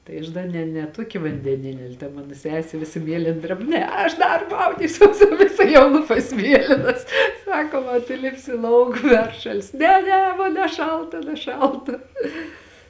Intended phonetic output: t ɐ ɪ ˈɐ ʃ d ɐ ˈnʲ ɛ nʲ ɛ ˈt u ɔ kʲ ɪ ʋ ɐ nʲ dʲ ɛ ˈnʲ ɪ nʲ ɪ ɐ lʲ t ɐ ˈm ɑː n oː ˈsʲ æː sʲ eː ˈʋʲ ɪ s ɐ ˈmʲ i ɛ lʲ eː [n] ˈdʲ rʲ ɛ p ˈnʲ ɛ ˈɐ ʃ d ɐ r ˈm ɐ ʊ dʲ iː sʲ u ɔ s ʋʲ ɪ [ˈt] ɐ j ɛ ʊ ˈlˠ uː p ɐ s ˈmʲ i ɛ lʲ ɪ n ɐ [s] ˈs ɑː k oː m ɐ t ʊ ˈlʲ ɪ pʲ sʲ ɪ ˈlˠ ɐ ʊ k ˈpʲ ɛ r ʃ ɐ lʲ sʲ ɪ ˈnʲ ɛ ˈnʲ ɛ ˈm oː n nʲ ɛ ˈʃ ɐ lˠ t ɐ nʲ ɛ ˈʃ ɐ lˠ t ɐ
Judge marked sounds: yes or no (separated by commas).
yes, no, yes